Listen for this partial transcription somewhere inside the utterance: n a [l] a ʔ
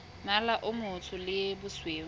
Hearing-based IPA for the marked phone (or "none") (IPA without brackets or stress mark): l